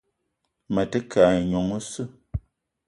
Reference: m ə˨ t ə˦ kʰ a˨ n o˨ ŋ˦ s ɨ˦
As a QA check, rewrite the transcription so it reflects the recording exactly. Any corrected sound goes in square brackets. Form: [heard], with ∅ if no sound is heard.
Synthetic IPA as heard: m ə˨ t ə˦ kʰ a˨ [ɲ] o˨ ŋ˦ s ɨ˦